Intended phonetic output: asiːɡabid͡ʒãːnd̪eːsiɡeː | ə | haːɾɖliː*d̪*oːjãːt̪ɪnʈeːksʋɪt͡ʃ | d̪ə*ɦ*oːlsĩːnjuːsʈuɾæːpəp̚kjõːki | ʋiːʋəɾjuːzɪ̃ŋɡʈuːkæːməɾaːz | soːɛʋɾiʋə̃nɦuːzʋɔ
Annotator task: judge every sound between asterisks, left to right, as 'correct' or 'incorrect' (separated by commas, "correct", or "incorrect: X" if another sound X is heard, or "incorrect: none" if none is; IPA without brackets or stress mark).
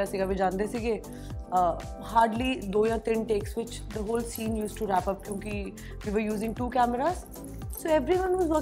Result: correct, correct